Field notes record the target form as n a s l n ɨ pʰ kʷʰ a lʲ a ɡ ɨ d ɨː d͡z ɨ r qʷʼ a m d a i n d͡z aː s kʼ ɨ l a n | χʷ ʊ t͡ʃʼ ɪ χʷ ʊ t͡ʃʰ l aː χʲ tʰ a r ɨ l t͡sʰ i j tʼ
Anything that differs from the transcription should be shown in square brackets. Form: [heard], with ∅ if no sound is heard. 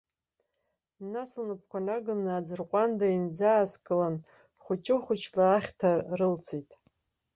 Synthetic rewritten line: n a s l n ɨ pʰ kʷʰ a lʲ a ɡ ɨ [n] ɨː d͡z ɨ r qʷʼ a [n] d a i n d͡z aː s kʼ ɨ l a n | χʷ ʊ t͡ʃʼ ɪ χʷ ʊ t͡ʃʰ l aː χʲ tʰ a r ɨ l t͡sʰ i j tʼ